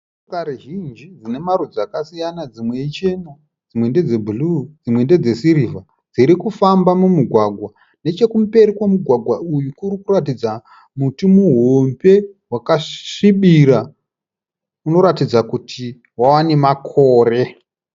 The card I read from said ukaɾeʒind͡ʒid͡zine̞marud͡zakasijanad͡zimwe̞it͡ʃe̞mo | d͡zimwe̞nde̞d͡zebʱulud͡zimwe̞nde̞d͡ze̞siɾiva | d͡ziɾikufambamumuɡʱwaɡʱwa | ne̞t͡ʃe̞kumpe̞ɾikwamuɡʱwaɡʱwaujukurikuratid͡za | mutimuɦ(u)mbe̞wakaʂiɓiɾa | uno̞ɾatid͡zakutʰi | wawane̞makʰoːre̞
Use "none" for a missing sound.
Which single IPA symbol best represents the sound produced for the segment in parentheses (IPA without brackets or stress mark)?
o